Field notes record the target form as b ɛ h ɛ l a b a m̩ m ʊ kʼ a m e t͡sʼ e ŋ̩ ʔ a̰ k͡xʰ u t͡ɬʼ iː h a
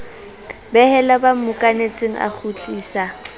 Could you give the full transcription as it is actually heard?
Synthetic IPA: b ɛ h ɛ l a b a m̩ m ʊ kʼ a n e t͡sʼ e ŋ̩ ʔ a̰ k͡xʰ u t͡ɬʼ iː s a